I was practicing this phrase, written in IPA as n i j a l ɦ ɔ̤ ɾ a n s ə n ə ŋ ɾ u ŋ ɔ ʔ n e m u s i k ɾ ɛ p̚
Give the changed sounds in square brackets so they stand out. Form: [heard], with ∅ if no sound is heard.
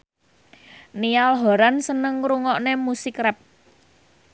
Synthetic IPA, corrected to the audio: n i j a l ɦ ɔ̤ ɾ a n s ə n ə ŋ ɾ u ŋ ɔ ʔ n e m u s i k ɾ ɛ p̚